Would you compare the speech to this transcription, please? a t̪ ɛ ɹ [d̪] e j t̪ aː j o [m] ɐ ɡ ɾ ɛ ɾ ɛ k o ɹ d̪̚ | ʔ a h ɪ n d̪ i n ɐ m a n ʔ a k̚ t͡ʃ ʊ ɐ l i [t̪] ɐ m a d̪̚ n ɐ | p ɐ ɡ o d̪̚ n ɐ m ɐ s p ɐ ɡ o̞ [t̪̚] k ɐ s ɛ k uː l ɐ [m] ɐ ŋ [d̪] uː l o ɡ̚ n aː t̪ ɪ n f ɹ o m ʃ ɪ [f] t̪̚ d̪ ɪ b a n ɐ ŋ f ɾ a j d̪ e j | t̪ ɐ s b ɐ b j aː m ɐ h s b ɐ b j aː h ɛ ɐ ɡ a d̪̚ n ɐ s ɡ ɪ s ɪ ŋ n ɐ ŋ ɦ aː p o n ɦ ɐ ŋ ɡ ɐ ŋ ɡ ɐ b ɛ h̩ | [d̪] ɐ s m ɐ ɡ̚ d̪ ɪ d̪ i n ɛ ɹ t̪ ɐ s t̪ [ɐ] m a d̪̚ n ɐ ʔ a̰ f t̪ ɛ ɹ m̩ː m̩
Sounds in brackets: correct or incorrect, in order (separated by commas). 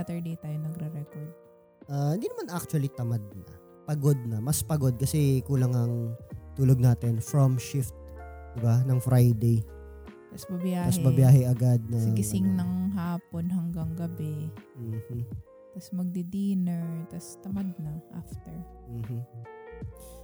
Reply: correct, incorrect, correct, incorrect, incorrect, incorrect, correct, incorrect, correct